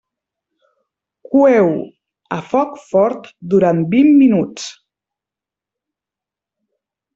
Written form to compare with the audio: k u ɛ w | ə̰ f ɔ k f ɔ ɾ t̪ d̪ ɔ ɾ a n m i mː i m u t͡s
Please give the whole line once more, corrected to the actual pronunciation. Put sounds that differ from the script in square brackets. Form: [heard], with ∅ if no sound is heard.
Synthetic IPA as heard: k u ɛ w | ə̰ f ɔ k f ɔ ɾ t̪ d̪ [u] ɾ a n [b] i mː i [n] u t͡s